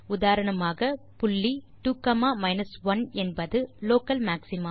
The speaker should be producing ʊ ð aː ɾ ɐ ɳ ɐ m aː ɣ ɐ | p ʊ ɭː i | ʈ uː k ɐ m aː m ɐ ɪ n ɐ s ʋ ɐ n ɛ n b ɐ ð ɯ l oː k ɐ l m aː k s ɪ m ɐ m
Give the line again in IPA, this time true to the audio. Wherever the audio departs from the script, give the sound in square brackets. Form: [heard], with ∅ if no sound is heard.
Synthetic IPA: ʊ ð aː ɾ ɐ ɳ ɐ m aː ɣ ɐ | p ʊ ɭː i | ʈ uː k ɐ m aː m ɐ ɪ n ɐ s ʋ ɐ n ɛ n b ɐ ð ɯ l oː k ɐ l m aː k s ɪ m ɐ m